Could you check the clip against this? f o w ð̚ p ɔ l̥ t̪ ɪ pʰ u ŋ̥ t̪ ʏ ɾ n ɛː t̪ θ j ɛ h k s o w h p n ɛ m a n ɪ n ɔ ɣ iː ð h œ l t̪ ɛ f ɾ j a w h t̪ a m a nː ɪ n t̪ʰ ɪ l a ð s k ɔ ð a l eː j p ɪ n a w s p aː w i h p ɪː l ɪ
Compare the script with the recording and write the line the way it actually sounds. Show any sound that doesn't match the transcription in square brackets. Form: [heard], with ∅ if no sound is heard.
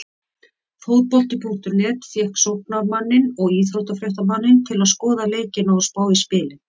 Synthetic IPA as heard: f o w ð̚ p ɔ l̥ t̪ ɪ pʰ u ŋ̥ t̪ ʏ ɾ n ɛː t̪ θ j ɛ h k s o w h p n [a] m a [nː] ɪ n ɔ ɣ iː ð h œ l t̪ [a] f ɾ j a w h t̪ a m a nː ɪ n t̪ʰ ɪ l a ð s k [ɔː] ð a l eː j [c] ɪ n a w s p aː w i [s] p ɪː l ɪ

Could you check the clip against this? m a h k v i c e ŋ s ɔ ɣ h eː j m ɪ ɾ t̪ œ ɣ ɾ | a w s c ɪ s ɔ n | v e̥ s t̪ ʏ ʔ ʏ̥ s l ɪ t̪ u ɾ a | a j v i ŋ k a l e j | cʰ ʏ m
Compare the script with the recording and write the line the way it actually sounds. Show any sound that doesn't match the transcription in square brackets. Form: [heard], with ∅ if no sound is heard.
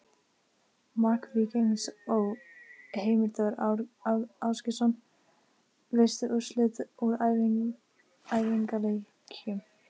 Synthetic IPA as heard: m a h k v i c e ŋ s ɔ ɣ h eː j m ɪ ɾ t̪ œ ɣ ɾ | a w s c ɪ s ɔ n | v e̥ s t̪ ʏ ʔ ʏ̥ s l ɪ t̪ u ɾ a | a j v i ŋ k a l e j | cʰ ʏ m

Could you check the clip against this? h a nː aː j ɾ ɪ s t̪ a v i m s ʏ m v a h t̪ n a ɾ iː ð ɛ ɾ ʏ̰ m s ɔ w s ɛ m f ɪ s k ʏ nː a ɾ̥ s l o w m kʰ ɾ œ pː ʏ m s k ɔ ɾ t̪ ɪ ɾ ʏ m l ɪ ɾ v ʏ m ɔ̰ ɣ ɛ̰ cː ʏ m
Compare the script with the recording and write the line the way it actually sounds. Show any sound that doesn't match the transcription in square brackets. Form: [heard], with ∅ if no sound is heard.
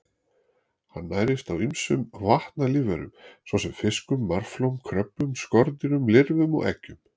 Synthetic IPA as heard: h a nː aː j ɾ ɪ s t̪ a [w] i m s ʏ m v a h t̪ n a [l] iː [v] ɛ ɾ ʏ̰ m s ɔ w s ɛ m f ɪ s k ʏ [mː] a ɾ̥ [f] l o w m kʰ ɾ œ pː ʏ m s k ɔ ɾ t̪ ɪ ɾ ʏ m l ɪ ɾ v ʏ m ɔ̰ ɣ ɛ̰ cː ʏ m

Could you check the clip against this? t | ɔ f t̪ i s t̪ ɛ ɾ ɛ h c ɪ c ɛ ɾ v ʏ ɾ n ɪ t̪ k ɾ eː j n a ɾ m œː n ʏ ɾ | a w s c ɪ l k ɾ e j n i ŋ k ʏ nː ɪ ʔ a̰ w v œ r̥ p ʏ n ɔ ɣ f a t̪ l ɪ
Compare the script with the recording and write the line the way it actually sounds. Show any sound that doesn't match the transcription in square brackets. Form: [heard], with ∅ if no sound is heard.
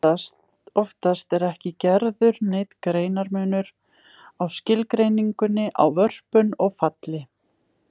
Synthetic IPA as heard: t | ɔ f t̪ [a] s t̪ ɛ ɾ ɛ h c ɪ c ɛ ɾ [ð] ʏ ɾ n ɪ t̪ k ɾ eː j n a ɾ m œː n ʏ ɾ | a w s c ɪ l k ɾ e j n i ŋ k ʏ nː ɪ ʔ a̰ w v œ r̥ p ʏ n ɔ ɣ f a t̪ l ɪ

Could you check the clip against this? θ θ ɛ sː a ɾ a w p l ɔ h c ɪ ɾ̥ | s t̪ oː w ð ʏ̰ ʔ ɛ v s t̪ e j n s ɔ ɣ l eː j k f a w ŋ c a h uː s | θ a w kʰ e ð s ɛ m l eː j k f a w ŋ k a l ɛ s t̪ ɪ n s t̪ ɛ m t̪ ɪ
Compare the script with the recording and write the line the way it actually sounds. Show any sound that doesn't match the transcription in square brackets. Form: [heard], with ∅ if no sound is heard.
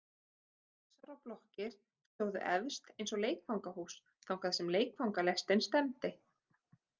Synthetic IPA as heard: θ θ ɛ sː a ɾ a w p l ɔ h c ɪ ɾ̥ | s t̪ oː w ð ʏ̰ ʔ ɛ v s t̪ e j n s ɔ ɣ l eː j k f a w ŋ [k] a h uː s | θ a w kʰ [a] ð s ɛ m l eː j k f a w ŋ k a l ɛ s t̪ ɪ n s t̪ ɛ m t̪ ɪ

